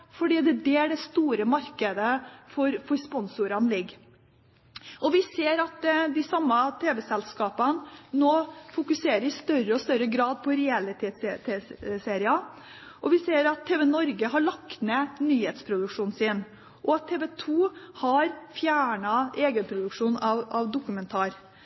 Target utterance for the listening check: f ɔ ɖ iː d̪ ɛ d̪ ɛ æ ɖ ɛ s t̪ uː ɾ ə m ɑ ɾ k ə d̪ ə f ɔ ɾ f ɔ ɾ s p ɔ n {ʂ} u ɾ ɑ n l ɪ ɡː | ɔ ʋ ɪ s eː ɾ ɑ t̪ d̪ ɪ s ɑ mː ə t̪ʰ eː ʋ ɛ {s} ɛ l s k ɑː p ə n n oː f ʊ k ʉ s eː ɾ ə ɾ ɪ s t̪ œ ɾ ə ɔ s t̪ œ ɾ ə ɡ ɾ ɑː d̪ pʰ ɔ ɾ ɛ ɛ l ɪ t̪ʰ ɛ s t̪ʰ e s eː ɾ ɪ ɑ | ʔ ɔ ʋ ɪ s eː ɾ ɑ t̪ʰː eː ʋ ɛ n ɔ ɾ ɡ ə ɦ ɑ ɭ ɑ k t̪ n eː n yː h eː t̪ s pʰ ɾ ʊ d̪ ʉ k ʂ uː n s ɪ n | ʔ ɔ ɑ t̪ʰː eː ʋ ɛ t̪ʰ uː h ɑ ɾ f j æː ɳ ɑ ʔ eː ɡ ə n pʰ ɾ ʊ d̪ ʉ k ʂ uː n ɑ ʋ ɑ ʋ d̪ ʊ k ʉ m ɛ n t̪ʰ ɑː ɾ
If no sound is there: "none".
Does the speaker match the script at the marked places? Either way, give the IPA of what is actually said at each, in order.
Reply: s, s

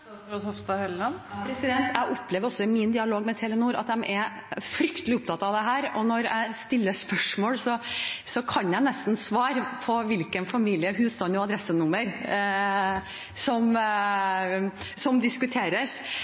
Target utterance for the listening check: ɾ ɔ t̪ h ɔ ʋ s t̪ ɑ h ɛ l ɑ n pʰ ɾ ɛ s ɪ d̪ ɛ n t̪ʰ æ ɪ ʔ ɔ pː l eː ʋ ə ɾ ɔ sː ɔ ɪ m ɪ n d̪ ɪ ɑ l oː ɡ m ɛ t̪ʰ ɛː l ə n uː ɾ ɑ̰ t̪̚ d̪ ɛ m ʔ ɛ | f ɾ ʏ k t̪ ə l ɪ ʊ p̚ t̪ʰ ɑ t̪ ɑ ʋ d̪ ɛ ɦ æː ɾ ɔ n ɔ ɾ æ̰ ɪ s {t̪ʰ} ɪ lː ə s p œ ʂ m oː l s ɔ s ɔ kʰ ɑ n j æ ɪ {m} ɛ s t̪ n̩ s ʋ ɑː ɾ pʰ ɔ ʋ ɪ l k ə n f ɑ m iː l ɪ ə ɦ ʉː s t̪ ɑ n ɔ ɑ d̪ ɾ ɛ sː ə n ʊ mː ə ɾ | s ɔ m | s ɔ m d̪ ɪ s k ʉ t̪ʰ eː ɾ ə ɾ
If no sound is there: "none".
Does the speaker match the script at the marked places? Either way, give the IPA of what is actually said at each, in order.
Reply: t̪, n

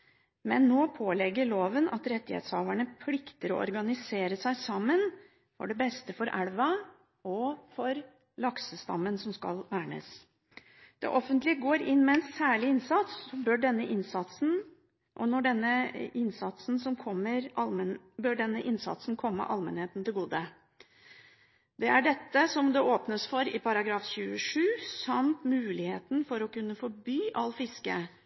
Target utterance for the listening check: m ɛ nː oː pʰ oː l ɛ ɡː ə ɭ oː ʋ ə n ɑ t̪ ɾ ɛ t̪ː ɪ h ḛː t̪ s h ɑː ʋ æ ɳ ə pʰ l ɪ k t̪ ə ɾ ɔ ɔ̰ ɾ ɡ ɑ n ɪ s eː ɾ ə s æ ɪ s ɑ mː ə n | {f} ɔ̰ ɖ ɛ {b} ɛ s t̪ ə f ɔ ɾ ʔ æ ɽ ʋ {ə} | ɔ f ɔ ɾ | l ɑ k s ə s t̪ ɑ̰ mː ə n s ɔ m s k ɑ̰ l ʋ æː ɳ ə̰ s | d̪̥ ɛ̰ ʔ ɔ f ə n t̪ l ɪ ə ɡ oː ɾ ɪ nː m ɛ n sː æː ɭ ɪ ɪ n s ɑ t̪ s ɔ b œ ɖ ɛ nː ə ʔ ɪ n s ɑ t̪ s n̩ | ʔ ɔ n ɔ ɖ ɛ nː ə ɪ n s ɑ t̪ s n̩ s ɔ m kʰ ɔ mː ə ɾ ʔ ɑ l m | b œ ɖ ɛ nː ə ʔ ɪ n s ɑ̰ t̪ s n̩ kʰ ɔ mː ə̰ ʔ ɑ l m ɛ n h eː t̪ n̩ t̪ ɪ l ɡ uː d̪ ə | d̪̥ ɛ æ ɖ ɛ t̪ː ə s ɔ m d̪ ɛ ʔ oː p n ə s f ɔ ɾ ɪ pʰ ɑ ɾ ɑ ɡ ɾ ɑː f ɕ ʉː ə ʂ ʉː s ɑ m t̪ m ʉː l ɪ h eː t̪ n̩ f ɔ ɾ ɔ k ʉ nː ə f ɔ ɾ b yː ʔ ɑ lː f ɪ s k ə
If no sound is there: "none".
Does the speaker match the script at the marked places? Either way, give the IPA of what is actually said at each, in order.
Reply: f, b, ɑ

